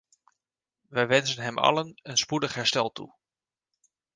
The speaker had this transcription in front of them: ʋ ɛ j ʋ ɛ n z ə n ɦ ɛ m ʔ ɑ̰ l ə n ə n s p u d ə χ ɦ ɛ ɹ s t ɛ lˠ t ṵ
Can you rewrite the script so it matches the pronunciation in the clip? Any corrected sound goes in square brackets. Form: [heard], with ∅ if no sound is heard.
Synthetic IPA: ʋ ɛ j ʋ ɛ n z ə n ɦ ɛ m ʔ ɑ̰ l ə n ə n s p u d ə χ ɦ ɛ ɹ s t ɛ lˠ t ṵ